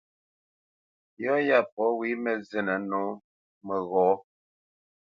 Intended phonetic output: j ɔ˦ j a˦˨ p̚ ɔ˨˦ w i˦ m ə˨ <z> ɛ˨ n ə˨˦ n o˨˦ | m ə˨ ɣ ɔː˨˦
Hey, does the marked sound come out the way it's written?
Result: yes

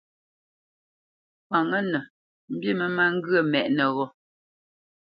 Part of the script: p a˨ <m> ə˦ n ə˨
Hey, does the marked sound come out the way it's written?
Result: no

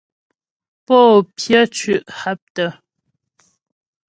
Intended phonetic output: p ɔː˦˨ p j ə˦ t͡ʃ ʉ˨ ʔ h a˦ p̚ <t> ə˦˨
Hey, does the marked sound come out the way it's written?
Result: yes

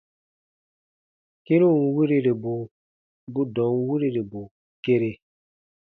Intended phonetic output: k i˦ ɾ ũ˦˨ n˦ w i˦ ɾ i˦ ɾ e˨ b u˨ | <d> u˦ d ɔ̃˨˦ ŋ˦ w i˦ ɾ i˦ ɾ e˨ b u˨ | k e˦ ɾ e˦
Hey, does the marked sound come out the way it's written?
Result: no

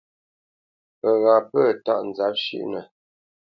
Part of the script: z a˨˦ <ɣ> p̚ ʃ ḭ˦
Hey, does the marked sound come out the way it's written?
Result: no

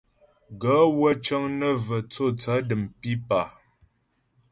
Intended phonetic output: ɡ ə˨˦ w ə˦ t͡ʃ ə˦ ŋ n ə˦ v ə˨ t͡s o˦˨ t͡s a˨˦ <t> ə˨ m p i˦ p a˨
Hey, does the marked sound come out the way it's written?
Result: no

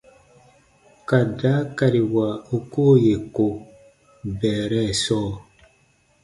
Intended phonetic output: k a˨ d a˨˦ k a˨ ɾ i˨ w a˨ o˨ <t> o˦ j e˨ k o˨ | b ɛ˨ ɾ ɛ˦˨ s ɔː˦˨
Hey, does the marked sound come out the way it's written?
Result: no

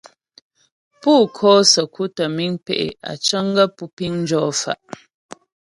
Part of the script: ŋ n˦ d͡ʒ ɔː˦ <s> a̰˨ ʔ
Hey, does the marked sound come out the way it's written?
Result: no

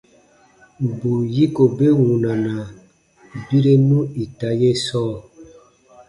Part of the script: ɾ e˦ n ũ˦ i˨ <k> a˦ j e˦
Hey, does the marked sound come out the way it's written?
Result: no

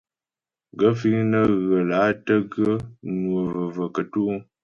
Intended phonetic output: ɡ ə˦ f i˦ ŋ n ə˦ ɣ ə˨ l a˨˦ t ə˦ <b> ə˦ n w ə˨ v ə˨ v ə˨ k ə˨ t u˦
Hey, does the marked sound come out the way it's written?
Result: no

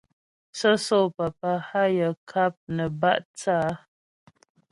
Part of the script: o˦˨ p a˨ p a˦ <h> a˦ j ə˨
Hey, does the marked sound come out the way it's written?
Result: yes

